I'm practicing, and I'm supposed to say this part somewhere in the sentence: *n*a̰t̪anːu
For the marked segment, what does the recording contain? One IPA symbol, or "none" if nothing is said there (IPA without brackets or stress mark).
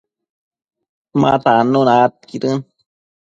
m